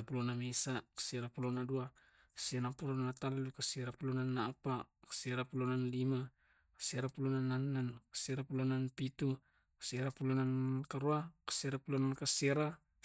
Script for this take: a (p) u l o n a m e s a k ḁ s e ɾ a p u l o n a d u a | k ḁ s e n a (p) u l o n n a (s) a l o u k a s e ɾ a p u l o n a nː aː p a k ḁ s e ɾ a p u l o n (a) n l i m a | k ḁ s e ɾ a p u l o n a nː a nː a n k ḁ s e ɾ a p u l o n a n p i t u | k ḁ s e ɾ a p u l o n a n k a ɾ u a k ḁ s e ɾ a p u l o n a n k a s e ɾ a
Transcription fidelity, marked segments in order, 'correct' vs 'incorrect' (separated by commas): correct, correct, incorrect, correct